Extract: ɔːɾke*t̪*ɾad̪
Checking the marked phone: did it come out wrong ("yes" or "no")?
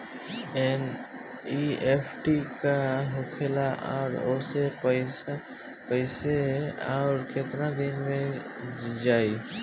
no